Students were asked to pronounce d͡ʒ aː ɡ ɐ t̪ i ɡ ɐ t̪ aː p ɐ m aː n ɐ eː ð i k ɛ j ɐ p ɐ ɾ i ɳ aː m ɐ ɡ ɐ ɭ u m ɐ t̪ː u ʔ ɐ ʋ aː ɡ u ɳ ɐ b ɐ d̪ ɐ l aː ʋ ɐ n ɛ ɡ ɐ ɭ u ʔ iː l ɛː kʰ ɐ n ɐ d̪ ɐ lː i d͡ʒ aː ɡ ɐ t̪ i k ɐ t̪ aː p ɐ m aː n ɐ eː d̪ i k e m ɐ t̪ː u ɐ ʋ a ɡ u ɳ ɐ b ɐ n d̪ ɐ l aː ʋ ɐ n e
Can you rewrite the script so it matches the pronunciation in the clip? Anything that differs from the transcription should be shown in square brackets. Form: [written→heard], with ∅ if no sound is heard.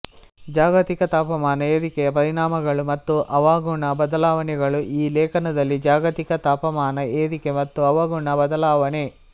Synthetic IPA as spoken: d͡ʒ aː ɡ ɐ t̪ i [ɡ→k] ɐ t̪ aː p ɐ m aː n ɐ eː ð i k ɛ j ɐ p ɐ ɾ i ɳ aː m ɐ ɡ ɐ ɭ u m ɐ t̪ː u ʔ ɐ ʋ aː ɡ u ɳ ɐ b ɐ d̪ ɐ l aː ʋ ɐ n ɛ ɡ ɐ ɭ u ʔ iː l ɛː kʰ ɐ n ɐ d̪ ɐ lː i d͡ʒ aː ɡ ɐ t̪ i k ɐ t̪ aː p ɐ m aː n ɐ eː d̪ i k e m ɐ t̪ː u ɐ ʋ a ɡ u ɳ ɐ b ɐ [n→∅] d̪ ɐ l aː ʋ ɐ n e